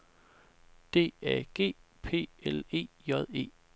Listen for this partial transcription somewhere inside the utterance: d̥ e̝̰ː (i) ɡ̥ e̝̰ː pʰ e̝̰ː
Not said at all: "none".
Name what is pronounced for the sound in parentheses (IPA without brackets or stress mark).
æ